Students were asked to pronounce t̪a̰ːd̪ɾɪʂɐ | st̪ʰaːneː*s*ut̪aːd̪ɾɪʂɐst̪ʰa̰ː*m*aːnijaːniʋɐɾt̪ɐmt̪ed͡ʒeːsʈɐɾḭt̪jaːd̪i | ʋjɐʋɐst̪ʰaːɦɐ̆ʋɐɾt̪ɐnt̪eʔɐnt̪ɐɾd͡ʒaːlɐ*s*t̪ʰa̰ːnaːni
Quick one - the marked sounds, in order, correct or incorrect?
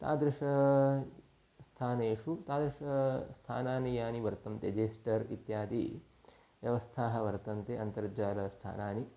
incorrect: ʂ, incorrect: n, correct

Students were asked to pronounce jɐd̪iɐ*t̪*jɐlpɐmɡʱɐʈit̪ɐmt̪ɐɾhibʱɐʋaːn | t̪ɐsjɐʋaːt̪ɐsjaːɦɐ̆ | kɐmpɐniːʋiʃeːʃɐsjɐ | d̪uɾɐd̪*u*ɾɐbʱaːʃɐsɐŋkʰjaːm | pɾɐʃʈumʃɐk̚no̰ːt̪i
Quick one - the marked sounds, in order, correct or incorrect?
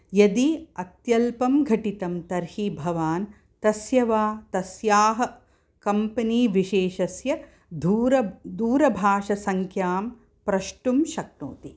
correct, incorrect: uː

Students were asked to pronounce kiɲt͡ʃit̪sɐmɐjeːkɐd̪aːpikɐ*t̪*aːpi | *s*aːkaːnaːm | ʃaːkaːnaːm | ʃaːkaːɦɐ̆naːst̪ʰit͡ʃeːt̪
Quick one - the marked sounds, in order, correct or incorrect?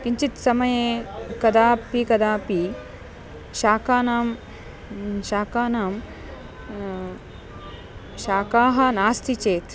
incorrect: d̪, incorrect: ʃ

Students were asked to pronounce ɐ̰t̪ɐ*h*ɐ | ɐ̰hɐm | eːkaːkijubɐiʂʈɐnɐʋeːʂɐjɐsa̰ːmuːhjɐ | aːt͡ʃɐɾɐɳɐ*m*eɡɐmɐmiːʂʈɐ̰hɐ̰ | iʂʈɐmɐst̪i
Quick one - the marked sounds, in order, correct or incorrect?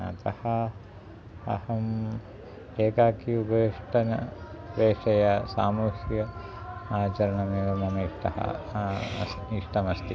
correct, correct

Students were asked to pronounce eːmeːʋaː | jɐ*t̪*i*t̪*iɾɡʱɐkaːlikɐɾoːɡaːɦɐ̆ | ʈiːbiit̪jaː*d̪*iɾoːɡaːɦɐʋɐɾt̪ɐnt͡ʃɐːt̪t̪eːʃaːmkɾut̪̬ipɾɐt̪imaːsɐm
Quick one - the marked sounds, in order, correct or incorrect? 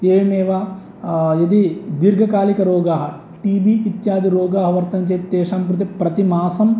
incorrect: d̪, incorrect: d̪, correct

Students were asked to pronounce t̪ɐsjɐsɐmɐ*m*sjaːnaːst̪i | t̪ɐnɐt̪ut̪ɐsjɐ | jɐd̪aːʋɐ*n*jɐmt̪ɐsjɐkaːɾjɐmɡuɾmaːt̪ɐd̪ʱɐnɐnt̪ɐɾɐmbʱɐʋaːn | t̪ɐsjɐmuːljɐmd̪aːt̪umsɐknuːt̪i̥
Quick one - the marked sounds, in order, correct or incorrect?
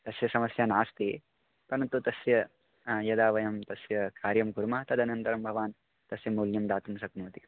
incorrect: none, incorrect: none

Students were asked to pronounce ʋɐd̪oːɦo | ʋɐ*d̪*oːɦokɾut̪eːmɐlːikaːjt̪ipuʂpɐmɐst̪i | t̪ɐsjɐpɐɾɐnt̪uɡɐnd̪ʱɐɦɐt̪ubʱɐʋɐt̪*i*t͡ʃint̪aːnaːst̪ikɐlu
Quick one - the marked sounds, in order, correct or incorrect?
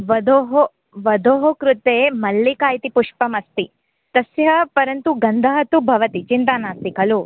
correct, correct

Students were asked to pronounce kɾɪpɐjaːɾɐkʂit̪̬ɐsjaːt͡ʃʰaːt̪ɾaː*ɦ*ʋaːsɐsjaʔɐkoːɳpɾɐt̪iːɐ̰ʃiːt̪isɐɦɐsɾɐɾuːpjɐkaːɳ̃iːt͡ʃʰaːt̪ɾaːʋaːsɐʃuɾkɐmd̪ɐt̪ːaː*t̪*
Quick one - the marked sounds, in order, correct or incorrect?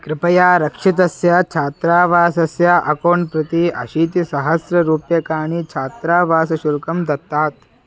incorrect: none, correct

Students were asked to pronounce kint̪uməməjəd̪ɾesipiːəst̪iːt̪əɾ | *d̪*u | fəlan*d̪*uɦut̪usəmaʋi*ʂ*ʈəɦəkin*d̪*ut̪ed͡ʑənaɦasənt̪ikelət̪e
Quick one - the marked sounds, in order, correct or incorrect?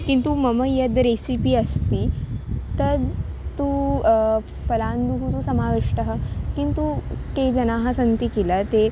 incorrect: t̪, correct, correct, incorrect: t̪

